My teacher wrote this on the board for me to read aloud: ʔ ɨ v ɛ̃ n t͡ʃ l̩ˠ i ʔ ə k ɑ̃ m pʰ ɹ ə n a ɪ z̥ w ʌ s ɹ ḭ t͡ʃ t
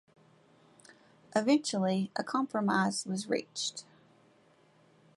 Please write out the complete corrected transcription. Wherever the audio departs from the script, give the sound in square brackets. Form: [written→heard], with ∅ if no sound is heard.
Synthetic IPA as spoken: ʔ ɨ v ɛ̃ n t͡ʃ l̩ˠ i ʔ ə [k→kʰ] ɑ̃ m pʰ ɹ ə [n→m] a ɪ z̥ w ʌ [s→z] ɹ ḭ t͡ʃ t